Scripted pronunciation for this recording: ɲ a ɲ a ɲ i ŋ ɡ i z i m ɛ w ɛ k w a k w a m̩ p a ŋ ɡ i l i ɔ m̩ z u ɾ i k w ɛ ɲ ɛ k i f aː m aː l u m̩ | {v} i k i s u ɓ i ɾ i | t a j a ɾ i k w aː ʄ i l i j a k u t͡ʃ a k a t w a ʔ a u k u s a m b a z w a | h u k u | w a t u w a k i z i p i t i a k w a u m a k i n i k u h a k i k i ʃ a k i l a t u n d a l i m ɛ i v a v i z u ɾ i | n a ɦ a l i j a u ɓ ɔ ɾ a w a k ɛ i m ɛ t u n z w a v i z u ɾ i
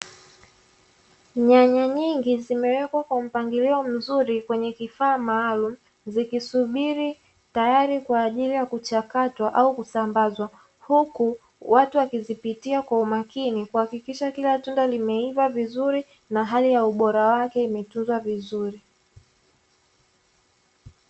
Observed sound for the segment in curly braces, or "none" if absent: z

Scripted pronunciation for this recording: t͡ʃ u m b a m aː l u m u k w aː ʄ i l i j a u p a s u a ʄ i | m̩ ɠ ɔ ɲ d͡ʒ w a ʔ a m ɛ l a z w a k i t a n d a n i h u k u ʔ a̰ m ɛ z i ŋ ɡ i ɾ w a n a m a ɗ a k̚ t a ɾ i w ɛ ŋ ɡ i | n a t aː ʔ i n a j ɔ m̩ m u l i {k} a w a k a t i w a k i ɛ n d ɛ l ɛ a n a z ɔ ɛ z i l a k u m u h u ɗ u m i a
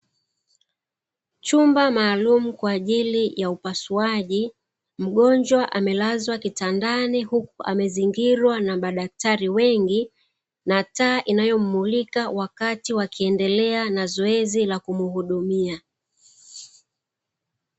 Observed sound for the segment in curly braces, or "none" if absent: k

